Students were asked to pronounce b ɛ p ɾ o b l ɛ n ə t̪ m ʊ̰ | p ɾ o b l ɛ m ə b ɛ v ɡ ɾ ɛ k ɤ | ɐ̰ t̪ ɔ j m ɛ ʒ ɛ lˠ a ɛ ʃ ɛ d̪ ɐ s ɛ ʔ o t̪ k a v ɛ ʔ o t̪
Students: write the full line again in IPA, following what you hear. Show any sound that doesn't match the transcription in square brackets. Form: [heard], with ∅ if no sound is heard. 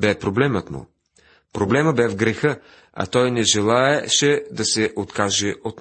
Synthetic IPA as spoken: b ɛ p ɾ o b l ɛ [m] ə t̪ m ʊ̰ | p ɾ o b l ɛ m ə b ɛ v ɡ ɾ ɛ [x] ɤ | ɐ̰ t̪ ɔ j [n] ɛ ʒ ɛ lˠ a ɛ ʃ ɛ d̪ ɐ s ɛ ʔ o t̪ k a [ʒ] ɛ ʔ o t̪